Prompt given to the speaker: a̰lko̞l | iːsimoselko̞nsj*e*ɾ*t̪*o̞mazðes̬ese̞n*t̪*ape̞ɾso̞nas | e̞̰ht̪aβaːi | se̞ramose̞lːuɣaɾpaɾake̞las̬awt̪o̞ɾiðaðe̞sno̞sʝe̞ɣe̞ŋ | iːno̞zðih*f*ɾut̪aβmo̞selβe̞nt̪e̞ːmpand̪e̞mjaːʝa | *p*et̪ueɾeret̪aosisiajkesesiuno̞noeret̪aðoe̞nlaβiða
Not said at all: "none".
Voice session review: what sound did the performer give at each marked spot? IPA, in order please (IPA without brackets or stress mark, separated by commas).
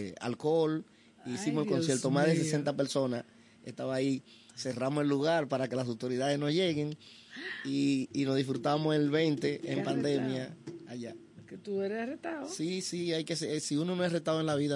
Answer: e, t̪, t̪, f, k